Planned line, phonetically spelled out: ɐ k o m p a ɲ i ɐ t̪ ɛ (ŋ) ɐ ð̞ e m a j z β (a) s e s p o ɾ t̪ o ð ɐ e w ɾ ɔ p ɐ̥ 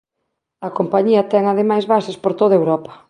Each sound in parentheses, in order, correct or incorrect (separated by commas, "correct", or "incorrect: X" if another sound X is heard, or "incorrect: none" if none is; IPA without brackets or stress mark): correct, correct